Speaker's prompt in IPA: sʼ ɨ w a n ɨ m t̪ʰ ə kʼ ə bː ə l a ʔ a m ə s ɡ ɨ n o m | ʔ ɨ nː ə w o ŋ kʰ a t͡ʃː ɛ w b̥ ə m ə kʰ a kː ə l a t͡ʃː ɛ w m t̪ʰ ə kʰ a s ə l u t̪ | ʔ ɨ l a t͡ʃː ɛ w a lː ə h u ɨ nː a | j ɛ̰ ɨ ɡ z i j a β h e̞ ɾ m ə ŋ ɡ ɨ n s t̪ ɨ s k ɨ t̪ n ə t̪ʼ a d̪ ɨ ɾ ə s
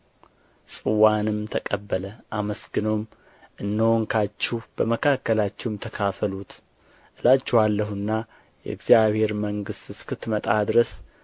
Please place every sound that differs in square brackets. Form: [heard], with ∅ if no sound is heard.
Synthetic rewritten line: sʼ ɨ w a n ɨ m t̪ʰ ə kʼ ə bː ə l [ə] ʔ a m ə s ɡ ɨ n o m | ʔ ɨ nː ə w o ŋ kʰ a t͡ʃː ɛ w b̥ ə m ə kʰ a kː ə l a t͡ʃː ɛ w m t̪ʰ ə kʰ a [f] ə l u t̪ | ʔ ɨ l a t͡ʃː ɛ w a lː ə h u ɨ nː a | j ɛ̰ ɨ ɡ z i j a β h e̞ ɾ m ə ŋ ɡ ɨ [∅] s t̪ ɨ s k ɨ t̪ [m] ə t̪ʼ a d̪ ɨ ɾ ə s